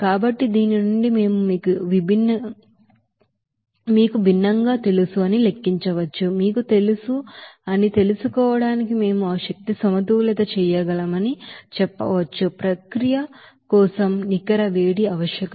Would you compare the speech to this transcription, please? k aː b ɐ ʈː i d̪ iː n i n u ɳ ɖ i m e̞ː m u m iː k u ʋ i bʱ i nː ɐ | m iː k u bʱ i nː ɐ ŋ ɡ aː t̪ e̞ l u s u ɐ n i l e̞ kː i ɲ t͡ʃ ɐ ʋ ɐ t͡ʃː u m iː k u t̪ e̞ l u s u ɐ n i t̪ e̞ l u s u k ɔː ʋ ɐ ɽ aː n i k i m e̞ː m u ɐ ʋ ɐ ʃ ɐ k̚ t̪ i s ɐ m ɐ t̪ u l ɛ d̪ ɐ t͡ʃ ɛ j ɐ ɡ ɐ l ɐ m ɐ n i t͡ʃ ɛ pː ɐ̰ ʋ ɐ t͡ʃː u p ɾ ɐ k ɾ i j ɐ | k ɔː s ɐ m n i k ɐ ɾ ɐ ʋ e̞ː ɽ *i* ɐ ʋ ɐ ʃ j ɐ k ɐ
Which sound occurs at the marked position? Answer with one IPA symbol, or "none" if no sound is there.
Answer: i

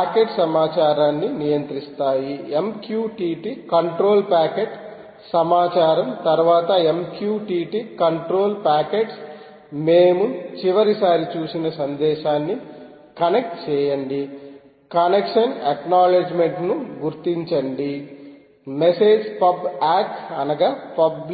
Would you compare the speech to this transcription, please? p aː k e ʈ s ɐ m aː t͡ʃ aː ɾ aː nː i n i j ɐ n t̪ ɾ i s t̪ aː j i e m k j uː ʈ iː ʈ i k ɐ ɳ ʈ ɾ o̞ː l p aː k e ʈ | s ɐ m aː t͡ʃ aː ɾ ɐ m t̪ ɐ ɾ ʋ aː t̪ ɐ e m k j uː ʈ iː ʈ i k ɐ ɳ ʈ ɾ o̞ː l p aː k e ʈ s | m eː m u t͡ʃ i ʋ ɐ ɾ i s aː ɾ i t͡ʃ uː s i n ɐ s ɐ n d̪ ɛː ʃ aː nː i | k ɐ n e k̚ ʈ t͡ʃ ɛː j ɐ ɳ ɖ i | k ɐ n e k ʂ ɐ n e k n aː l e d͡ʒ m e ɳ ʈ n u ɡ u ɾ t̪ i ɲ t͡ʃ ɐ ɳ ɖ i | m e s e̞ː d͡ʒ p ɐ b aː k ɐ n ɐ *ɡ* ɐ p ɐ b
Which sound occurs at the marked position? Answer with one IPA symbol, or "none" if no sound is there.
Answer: ɡ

